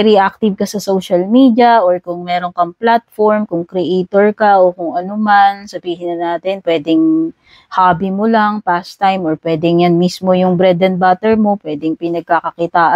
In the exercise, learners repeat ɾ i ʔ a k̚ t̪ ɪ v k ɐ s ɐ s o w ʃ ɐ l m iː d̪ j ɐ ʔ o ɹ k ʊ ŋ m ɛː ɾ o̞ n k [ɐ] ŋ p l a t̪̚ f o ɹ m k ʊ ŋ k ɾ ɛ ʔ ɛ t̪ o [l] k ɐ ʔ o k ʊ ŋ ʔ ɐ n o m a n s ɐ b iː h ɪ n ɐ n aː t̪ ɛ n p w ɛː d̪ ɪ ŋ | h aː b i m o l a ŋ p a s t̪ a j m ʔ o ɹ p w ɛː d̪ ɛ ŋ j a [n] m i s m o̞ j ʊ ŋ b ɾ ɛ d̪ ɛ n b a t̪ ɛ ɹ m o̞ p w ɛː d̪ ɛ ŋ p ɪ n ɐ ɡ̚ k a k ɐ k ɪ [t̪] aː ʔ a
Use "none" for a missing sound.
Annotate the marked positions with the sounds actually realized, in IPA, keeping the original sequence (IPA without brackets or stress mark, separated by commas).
ɐ, ɹ, n, t̪